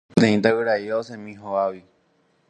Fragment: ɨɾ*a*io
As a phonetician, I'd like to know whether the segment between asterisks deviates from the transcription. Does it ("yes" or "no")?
no